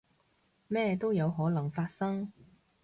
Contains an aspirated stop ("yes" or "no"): no